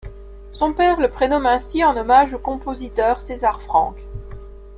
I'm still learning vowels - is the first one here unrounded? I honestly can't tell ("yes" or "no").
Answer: no